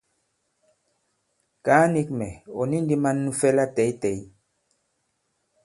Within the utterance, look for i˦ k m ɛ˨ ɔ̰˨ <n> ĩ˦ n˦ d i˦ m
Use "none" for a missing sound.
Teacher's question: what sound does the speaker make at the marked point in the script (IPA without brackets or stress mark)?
n